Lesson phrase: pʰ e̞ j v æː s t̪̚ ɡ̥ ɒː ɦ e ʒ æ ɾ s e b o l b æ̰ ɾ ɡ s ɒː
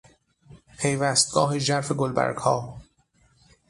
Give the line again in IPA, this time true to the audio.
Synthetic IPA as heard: pʰ e̞ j v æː s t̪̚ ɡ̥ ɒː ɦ e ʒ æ ɾ f e ɡ o l b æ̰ ɾ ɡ h ɒː

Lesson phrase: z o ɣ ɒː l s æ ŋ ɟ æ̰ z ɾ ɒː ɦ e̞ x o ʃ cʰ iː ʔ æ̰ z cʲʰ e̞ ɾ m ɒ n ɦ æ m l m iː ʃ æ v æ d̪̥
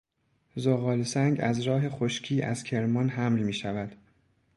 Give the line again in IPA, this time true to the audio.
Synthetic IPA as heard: z o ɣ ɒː l s æ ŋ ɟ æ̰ z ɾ ɒː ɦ e̞ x o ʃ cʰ iː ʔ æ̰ z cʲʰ e̞ ɾ m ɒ n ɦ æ m l m iː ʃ æ v æ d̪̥

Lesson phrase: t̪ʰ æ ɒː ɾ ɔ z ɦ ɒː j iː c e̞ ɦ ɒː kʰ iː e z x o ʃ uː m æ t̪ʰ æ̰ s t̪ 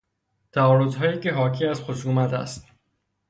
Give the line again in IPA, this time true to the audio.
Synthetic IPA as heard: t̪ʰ æ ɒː ɾ o z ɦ ɒː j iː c e̞ ɦ ɒː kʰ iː æ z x o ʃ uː m æ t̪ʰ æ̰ s t̪

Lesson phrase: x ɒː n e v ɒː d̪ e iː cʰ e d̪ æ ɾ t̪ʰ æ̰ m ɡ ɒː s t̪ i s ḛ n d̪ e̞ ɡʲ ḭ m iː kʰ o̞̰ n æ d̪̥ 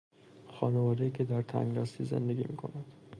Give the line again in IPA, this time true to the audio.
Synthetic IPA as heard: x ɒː n e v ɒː d̪ e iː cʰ e d̪ æ ɾ t̪ʰ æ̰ ŋ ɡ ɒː s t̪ i z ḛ n d̪ e̞ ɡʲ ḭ m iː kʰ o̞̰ n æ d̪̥

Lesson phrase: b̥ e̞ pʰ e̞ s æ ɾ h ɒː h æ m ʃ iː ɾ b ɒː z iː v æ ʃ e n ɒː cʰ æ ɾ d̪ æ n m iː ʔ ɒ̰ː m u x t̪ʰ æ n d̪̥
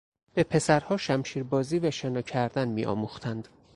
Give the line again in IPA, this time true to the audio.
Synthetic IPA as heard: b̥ e̞ pʰ e̞ s æ ɾ h ɒː ʃ æ m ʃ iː ɾ b ɒː z iː v æ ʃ e n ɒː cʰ æ ɾ d̪ æ n m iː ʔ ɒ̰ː m u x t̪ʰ æ n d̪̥

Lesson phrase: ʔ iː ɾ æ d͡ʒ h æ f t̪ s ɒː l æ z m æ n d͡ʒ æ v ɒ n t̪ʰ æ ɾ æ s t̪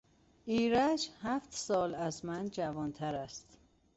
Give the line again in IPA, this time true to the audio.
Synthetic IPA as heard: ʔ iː ɾ æ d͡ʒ h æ f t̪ s ɒː l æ z m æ n d͡ʒ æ v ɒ n t̪ʰ æ ɾ æ s t̪

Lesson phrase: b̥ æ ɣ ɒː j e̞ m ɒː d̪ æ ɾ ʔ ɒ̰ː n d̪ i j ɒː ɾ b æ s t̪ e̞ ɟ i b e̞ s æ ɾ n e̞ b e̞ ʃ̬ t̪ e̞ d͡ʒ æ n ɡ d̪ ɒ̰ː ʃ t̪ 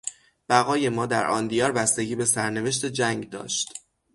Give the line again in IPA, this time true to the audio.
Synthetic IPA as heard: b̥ æ ɣ ɒː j e̞ m ɒː d̪ æ ɾ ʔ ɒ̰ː n d̪ i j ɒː ɾ b æ s t̪ e̞ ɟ iː b e̞ s æ ɾ n e̞ v e̞ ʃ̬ t̪ e̞ d͡ʒ æ ŋ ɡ d̪ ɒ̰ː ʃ t̪

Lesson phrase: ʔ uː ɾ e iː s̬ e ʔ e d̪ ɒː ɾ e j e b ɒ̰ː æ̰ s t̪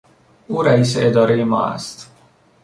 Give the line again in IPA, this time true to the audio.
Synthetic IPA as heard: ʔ uː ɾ æ iː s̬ e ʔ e d̪ ɒː ɾ e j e m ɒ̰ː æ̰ s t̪

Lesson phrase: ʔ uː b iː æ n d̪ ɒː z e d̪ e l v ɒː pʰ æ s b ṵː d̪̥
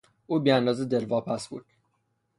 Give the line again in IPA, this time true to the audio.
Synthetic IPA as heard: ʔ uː b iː æ n d̪ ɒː z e d̪ e l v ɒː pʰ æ s b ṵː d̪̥

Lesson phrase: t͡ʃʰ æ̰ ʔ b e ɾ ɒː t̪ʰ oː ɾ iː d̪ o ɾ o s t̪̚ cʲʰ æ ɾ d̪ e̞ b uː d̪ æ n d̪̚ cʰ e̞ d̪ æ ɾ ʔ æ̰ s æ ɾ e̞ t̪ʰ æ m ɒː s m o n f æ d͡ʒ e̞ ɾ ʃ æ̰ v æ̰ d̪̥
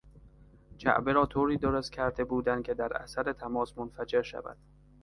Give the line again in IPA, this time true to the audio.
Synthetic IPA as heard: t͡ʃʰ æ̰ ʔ b e ɾ ɒː t̪ʰ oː ɾ iː d̪ o ɾ o s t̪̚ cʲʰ æ ɾ d̪ e̞ b uː d̪ æ n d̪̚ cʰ e̞ d̪ æ ɾ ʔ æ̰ s æ ɾ e̞ t̪ʰ æ m ɒː s m o n f æ d͡ʒ e̞ ɾ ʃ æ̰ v æ̰ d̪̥

